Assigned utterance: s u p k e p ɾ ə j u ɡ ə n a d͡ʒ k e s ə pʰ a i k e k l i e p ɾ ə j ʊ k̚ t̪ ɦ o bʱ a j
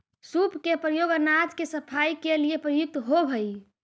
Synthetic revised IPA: s u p k e p ɾ ə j o ɡ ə n a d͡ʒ k e s ə pʰ a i k e l i e p ɾ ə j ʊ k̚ t̪ ɦ o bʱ ə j